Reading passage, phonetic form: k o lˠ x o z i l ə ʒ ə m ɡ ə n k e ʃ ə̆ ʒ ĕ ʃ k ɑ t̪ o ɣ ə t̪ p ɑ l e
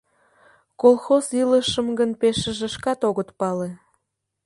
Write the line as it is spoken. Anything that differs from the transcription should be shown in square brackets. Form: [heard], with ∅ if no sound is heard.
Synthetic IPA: k o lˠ x o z i l ə [ʃ] ə m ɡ ə n [p] e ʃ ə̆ ʒ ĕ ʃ k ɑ t̪ o ɣ ə t̪ p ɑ l e